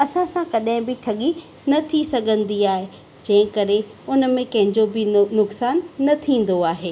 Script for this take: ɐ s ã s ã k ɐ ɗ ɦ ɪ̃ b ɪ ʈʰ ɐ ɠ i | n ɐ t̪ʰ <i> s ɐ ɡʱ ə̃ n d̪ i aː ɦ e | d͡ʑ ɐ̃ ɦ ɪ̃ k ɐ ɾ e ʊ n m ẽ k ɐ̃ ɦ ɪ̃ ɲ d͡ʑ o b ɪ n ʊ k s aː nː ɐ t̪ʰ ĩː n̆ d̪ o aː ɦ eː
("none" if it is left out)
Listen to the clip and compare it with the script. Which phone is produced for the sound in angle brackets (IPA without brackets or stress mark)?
i